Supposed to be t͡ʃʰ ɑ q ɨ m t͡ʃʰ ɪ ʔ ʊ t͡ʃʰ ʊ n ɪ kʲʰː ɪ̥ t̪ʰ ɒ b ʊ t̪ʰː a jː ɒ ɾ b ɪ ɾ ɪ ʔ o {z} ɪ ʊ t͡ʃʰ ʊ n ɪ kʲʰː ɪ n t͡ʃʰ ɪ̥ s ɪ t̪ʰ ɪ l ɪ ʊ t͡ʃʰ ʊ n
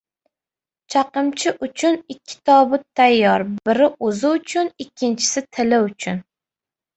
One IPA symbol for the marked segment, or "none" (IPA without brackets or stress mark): z